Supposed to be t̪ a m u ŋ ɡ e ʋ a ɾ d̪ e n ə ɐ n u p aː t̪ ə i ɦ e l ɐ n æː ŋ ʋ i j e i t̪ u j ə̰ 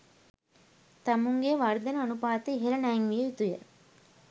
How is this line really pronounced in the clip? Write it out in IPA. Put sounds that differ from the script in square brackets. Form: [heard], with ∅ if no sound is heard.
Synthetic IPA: t̪ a m u ŋ ɡ e ʋ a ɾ d̪ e n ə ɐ n u p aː t̪ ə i ɦ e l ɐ n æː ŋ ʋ i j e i t̪ u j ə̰